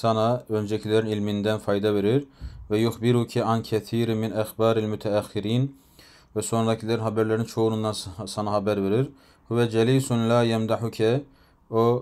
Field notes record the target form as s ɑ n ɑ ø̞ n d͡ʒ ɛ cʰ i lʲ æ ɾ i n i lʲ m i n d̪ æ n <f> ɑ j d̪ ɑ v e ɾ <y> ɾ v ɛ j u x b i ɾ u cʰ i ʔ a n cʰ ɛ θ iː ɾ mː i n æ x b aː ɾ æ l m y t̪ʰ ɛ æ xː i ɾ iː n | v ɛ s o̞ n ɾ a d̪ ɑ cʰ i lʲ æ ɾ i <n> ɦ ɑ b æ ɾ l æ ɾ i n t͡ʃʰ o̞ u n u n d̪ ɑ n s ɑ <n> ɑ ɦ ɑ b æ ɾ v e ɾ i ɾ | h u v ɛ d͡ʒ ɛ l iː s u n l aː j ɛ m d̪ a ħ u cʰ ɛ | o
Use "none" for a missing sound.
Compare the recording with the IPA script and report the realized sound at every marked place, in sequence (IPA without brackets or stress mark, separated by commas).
f, i, n, n